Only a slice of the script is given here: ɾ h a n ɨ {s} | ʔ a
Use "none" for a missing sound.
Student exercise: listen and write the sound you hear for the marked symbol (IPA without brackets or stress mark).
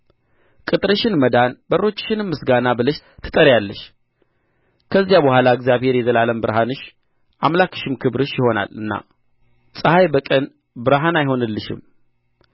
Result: ʃ